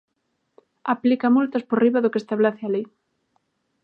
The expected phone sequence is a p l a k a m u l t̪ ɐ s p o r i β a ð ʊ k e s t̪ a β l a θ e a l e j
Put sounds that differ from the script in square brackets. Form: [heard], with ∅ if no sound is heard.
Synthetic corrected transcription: a p l [i] k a m u l t̪ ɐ s p o r i β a ð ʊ k e s t̪ a β l a θ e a l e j

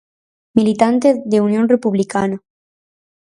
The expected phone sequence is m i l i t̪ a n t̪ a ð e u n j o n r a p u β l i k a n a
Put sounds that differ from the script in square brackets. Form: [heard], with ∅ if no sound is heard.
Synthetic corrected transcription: m i l i t̪ a n t̪ [e] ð e u n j o n r [e] p u β l i k a n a

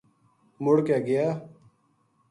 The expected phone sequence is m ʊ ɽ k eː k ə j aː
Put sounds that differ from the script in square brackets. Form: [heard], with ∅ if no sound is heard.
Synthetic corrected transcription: m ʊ ɽ k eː [ɡ] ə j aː

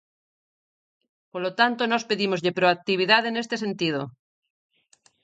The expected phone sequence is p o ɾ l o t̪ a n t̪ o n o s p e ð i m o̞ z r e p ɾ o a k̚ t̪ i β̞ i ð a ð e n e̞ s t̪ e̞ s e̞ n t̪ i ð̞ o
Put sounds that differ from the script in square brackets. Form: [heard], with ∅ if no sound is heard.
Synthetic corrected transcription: p o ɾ l o t̪ a n t̪ o n o s p e ð i m o̞ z [ʎ] e p ɾ o a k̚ t̪ i β̞ i ð a ð e n e̞ s t̪ e̞ s e̞ n t̪ i ð̞ o

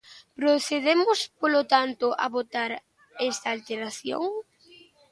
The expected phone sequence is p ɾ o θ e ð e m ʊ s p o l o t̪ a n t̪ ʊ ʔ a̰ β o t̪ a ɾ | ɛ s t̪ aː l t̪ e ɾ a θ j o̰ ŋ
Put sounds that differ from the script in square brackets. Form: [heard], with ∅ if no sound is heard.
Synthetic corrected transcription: p ɾ o θ e ð e m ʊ s p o l o t̪ a n t̪ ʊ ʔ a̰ β o t̪ a ɾ | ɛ s t̪ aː l t̪ e ɾ a θ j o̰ ŋ

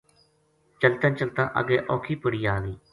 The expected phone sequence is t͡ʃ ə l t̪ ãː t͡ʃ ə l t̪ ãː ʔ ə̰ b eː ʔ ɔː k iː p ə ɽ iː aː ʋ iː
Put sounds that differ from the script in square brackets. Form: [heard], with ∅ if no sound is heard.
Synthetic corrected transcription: t͡ʃ ə l t̪ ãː t͡ʃ ə l t̪ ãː ʔ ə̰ [ɡ] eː ʔ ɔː [kʰ] iː p ə ɽ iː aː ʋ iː

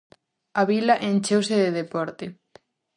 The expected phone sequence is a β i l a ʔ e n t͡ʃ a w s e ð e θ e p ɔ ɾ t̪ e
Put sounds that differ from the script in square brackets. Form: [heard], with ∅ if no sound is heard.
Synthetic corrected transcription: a β i l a ʔ e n t͡ʃ [e] w s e ð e [ð] e p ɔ ɾ t̪ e

